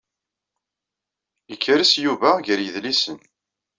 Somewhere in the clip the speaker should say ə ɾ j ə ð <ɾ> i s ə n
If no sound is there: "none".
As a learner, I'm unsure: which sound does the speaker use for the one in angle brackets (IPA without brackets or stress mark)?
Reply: l